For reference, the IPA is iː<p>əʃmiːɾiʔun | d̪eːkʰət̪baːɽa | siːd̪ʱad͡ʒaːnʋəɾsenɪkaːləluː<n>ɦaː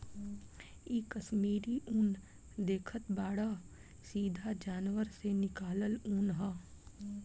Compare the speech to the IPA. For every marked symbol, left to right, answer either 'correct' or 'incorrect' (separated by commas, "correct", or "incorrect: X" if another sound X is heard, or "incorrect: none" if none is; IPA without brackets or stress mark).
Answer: incorrect: k, correct